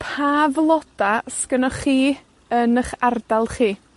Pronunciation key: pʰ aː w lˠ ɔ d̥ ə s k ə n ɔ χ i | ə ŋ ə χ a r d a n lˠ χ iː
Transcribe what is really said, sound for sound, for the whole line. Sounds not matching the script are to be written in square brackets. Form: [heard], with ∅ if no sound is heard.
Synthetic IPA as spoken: pʰ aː [v] lˠ ɔ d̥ [a] s k ə n ɔ χ [iː] | ə [n] ə χ a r d a [∅] lˠ χ iː